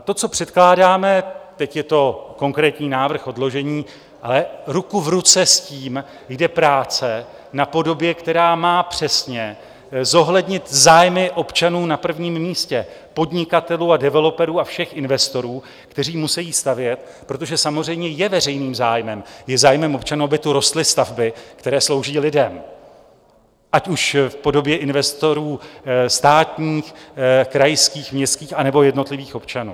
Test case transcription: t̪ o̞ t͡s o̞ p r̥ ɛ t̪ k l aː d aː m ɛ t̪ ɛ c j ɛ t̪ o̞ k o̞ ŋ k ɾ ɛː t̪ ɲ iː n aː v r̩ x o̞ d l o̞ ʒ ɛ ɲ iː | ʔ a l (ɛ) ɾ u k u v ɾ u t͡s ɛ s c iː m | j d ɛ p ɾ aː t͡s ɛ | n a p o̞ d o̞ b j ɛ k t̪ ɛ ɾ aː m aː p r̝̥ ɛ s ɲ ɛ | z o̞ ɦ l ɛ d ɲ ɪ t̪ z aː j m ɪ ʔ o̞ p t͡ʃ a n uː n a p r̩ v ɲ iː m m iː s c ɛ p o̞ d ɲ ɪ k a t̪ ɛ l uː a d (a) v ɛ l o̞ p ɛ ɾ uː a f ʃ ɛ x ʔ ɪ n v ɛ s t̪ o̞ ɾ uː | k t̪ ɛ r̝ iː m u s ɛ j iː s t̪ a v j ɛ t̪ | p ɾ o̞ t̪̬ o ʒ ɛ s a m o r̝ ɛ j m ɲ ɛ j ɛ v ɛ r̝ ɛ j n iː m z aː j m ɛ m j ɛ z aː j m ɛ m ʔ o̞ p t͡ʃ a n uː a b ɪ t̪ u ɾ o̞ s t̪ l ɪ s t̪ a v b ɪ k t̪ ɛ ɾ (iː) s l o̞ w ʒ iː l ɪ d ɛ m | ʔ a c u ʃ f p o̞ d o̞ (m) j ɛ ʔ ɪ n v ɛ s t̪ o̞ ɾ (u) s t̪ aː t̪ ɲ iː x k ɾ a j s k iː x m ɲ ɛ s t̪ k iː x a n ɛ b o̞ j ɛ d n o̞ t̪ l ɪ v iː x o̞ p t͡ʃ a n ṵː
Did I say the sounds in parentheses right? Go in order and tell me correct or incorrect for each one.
correct, incorrect: ɛ, incorrect: ɛː, incorrect: b, incorrect: uː

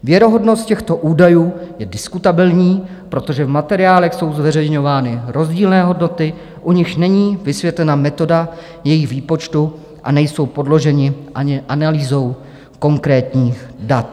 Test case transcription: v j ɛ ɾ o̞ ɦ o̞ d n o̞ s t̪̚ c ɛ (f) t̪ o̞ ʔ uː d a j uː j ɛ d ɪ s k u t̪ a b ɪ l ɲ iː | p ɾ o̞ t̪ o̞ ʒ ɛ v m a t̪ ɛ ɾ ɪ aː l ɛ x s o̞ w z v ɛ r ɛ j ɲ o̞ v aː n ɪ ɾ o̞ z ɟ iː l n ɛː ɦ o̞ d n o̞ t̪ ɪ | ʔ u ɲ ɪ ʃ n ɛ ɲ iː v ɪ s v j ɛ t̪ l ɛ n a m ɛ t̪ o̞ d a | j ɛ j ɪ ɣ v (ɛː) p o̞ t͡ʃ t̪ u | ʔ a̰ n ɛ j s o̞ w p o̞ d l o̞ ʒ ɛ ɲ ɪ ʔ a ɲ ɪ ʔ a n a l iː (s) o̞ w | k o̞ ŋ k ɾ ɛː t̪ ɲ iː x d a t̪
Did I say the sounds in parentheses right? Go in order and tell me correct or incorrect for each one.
incorrect: x, incorrect: iː, incorrect: z

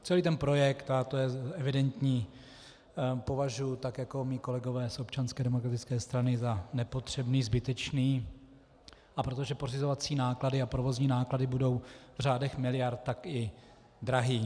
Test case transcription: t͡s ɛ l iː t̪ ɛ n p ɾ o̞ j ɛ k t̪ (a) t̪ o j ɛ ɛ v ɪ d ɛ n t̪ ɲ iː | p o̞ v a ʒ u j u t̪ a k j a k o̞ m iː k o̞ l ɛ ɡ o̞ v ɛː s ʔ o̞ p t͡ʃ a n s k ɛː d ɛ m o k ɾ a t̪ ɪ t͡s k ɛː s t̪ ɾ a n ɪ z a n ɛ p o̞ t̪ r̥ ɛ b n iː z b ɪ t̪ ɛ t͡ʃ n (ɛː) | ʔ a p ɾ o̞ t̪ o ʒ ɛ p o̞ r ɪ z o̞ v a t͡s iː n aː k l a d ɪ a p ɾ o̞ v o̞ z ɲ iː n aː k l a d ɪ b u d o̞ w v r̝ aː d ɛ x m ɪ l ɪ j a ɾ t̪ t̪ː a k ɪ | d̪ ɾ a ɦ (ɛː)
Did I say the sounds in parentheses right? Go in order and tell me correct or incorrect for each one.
correct, incorrect: iː, incorrect: iː

